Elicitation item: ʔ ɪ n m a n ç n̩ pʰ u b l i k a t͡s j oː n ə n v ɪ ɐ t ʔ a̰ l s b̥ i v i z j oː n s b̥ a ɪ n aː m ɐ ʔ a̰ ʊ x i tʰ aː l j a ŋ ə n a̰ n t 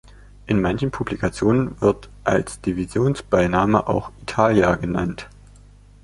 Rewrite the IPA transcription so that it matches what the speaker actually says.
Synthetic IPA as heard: ʔ ɪ n m a n ç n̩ pʰ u b l i k a t͡s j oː n ə n v ɪ ɐ t ʔ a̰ l s d̥ i v i z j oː n s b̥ a ɪ n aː m ə ʔ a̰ ʊ x i tʰ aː l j a ɡ ə n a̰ n t